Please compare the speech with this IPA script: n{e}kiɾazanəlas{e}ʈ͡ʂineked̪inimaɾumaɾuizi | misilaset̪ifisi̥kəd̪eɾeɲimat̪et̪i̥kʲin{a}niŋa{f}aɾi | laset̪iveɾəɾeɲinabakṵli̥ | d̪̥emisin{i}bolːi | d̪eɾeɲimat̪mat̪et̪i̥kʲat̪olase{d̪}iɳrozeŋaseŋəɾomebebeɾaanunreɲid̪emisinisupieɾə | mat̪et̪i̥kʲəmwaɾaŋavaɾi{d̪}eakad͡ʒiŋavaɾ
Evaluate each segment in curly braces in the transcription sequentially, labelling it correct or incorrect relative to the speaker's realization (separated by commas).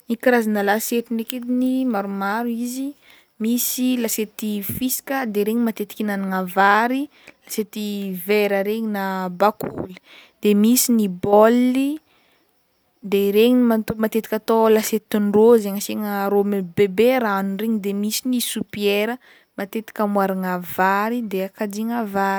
incorrect, correct, correct, incorrect, correct, incorrect, correct